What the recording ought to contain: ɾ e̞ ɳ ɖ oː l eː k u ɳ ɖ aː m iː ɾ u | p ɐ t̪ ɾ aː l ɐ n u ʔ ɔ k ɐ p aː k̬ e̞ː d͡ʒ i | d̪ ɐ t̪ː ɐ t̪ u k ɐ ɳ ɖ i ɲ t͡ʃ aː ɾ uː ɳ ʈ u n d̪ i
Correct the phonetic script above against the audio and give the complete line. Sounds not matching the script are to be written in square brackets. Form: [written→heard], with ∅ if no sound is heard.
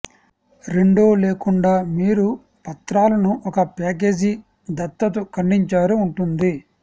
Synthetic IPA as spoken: ɾ e̞ ɳ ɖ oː l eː k u ɳ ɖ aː m iː ɾ u | p ɐ t̪ ɾ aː l ɐ n u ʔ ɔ k ɐ p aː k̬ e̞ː d͡ʒ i | d̪ ɐ t̪ː ɐ t̪ u k ɐ ɳ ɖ i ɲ t͡ʃ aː ɾ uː ɳ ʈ u n d̪ i